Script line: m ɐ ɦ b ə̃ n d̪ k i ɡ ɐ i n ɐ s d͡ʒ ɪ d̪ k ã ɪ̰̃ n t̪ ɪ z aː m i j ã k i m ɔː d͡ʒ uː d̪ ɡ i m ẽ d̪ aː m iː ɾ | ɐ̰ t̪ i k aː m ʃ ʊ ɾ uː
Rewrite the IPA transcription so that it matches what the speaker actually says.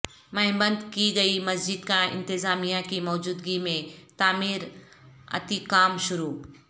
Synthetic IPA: m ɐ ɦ b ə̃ n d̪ k i ɡ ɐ i m ɐ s d͡ʒ ɪ d̪ k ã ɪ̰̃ n t̪ ɪ z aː m i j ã k i m ɔː d͡ʒ uː d̪ ɡ i m ẽ t̪ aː m iː ɾ | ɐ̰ t̪ i k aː m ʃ ʊ ɾ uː